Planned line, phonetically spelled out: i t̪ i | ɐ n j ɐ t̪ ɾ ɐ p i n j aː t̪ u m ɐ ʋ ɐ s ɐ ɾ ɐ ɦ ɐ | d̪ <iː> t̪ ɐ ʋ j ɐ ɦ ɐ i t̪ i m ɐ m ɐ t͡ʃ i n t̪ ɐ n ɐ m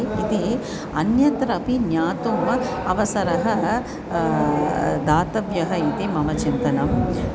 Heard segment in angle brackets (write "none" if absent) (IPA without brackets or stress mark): aː